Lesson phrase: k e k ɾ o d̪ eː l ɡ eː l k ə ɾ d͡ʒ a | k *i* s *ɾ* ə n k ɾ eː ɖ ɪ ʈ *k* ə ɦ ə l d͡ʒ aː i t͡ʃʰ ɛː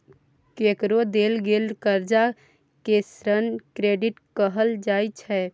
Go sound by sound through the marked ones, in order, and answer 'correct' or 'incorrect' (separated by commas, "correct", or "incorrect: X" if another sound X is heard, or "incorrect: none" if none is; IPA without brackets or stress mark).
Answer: incorrect: e, correct, correct